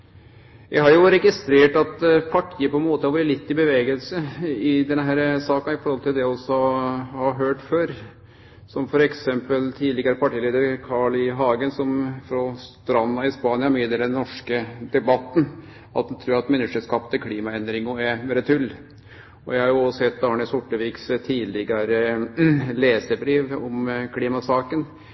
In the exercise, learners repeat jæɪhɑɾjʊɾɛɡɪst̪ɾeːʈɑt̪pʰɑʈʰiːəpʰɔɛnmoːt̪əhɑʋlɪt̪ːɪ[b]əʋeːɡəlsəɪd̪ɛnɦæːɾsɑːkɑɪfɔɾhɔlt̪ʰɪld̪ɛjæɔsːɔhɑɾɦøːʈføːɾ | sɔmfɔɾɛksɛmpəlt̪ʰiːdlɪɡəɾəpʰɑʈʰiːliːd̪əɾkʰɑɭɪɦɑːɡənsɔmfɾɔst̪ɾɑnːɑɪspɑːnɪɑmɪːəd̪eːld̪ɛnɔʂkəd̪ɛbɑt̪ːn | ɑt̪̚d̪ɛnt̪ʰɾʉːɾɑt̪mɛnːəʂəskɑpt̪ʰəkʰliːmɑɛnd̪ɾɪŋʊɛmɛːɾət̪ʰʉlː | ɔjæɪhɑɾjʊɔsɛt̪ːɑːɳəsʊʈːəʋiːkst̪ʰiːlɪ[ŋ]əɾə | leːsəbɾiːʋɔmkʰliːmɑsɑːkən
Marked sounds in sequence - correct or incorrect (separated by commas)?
correct, incorrect